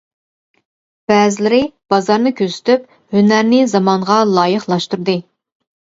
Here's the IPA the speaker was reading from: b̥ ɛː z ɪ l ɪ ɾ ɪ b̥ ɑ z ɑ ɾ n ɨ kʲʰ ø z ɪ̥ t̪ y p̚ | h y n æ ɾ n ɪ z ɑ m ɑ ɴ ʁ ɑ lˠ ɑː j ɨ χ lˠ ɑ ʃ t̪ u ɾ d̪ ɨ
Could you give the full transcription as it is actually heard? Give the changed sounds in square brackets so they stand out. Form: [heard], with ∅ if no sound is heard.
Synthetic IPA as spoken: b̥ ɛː z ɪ l ɪ ɾ ɪ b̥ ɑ z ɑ ɾ n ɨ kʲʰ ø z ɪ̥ t̪ y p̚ | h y n æ ɾ n ɪ z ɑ m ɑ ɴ ʁ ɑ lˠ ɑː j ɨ χ lˠ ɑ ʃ t̪ u ɾ d̪ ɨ